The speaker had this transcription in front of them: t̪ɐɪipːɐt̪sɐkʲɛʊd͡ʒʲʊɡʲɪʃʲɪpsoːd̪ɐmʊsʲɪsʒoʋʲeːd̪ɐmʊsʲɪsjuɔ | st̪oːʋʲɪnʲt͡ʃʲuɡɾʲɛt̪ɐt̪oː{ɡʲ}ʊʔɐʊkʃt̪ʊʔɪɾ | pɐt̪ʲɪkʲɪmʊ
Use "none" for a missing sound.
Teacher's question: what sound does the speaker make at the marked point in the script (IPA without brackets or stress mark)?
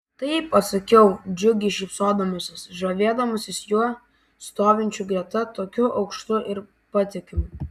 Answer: kʲ